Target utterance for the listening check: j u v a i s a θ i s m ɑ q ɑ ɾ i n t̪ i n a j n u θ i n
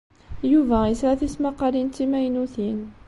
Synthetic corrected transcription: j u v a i s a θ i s m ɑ q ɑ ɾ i n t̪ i m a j n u θ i n